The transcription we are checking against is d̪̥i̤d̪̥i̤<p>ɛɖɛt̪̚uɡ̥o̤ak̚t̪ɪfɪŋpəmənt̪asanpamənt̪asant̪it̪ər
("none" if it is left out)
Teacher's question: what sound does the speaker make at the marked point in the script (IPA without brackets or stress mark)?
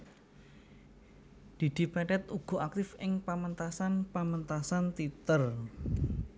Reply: p